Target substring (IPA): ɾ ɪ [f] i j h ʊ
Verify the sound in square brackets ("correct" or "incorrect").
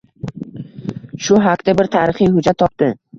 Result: incorrect